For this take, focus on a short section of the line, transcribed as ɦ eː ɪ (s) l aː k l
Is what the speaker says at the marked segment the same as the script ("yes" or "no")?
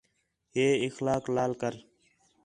no